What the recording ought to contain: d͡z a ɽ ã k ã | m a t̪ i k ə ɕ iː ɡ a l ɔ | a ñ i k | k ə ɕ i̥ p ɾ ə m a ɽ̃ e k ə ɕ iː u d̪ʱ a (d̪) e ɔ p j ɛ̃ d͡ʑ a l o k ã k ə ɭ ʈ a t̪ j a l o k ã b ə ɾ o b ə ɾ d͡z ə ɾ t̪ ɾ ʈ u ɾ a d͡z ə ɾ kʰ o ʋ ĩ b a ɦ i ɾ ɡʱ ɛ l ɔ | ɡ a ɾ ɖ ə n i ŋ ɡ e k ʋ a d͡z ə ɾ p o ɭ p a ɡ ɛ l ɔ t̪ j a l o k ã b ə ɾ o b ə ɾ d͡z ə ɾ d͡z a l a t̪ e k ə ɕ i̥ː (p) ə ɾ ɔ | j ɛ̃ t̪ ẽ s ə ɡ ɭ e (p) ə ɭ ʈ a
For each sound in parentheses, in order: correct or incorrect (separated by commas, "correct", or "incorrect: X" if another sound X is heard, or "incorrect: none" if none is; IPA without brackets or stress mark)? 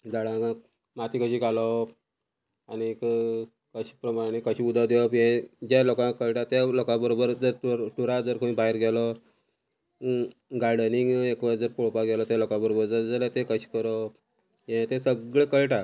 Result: correct, incorrect: k, incorrect: k